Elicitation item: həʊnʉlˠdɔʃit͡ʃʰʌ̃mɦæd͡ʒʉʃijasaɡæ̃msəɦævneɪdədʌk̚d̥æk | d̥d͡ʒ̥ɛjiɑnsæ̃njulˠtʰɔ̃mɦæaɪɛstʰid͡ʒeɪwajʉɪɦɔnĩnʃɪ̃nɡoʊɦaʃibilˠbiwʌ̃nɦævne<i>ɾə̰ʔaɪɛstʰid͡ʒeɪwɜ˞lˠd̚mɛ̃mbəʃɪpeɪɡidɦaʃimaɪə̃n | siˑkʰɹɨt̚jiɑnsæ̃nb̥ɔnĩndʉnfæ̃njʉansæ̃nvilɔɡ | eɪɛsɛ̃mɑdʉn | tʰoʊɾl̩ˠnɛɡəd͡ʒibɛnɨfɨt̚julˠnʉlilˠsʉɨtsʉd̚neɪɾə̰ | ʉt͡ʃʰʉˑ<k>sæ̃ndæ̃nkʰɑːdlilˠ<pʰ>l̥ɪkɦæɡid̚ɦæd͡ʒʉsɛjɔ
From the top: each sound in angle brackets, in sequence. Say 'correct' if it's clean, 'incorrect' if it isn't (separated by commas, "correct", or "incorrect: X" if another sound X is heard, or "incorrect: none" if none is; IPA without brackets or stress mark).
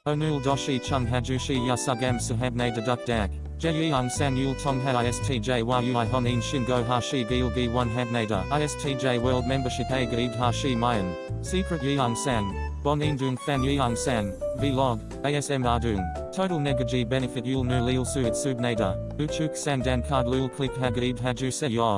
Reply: incorrect: ɪ, correct, incorrect: kʰ